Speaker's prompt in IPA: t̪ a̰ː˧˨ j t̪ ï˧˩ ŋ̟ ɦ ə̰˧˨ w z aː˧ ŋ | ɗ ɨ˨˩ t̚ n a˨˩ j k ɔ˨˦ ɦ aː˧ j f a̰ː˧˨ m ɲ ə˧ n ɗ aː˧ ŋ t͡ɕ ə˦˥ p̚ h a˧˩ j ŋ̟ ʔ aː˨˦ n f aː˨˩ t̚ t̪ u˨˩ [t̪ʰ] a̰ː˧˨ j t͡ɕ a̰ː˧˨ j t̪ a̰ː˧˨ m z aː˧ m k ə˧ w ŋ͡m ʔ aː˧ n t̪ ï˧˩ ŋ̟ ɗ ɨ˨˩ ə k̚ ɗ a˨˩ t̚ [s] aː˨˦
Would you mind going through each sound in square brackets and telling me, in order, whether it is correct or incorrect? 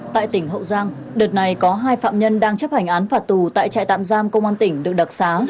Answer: incorrect, correct

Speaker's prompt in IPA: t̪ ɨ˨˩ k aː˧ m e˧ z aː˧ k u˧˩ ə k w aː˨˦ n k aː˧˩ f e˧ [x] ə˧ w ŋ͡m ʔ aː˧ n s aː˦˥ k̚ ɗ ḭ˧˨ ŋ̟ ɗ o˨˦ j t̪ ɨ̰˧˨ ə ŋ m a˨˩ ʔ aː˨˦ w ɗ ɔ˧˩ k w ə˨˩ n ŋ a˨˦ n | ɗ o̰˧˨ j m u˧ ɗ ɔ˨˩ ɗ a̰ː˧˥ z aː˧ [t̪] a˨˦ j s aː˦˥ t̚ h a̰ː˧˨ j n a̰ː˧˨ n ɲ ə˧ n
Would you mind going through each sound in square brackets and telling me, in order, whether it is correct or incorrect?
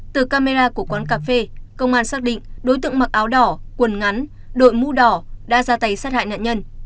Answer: incorrect, correct

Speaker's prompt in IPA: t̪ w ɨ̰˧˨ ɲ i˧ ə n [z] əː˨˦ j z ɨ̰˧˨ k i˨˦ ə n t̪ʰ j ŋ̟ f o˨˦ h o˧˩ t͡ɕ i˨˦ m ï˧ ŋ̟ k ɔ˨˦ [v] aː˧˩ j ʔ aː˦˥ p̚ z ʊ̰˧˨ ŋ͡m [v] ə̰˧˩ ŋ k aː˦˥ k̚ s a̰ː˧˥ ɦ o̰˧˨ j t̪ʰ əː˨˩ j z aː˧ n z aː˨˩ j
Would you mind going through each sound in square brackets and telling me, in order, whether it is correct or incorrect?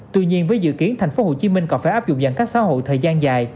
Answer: incorrect, incorrect, incorrect

